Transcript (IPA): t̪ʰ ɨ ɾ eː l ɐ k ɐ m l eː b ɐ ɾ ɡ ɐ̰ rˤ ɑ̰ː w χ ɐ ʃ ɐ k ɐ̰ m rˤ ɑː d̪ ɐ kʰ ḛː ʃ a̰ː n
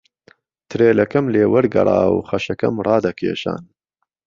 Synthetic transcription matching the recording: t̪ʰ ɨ ɾ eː l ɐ k ɐ m l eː w ɐ ɾ ɡ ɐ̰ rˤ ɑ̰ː w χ ɐ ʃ ɐ k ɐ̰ m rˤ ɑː d̪ ɐ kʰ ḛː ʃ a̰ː n